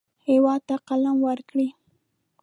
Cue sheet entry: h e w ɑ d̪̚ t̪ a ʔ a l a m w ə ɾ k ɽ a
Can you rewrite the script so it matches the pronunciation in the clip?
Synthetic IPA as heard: h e w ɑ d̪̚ t̪ a q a l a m w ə ɾ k ɽ i